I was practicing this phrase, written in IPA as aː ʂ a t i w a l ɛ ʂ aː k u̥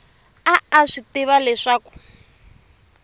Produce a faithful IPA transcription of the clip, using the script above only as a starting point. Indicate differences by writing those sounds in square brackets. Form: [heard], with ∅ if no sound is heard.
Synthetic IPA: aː ʂ [i] t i [β] a l ɛ ʂ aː k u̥

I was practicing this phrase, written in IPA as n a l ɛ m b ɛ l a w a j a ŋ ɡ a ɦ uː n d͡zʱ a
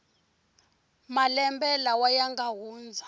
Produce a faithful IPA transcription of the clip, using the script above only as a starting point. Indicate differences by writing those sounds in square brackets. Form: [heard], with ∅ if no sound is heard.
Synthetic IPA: [m] a l ɛ m b ɛ l a w a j a ŋ ɡ a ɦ uː n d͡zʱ a

